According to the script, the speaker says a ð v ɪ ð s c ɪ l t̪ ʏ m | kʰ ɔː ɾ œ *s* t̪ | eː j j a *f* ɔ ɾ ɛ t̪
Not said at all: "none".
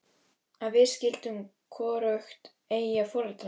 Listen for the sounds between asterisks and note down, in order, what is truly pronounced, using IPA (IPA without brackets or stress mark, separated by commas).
x, f